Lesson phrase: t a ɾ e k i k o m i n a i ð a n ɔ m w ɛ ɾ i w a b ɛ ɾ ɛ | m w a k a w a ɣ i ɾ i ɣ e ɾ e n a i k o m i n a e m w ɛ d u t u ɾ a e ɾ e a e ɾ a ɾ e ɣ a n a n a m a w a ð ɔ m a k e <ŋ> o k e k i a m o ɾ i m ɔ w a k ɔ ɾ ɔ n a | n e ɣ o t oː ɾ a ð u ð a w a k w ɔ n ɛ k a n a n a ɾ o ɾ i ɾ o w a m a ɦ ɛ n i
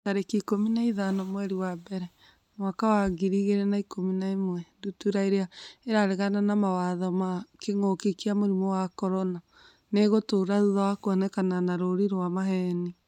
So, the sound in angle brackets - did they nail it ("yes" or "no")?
yes